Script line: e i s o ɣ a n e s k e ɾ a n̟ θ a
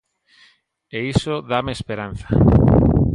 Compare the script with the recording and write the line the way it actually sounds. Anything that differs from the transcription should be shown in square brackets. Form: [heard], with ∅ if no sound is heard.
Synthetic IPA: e i s o [ð] a [m] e s [p] e ɾ a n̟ θ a